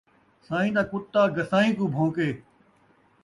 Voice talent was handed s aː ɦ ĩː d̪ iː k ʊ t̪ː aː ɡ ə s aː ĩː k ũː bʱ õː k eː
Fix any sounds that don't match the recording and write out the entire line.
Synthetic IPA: s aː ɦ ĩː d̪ aː k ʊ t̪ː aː ɡ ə s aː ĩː k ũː bʱ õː k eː